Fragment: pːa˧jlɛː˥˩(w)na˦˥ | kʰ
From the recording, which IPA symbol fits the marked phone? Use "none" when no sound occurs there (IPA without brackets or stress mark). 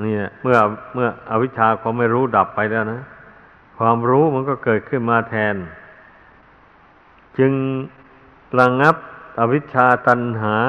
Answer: w